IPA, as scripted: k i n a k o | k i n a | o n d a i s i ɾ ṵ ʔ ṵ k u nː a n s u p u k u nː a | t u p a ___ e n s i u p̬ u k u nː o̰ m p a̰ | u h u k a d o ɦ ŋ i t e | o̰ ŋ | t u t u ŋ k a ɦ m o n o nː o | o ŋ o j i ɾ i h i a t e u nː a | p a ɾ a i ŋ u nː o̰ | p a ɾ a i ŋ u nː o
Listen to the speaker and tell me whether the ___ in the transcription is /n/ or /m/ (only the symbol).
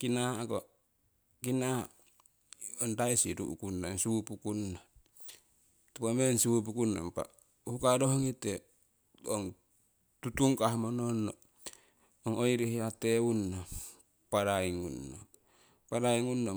m